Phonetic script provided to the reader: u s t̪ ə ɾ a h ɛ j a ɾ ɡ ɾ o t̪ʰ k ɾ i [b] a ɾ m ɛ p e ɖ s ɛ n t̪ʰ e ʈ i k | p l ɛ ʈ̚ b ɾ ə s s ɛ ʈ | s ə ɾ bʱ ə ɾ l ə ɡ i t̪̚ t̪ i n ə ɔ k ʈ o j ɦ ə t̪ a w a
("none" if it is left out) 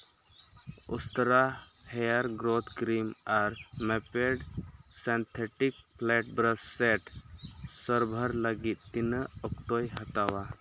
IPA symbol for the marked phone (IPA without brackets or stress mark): m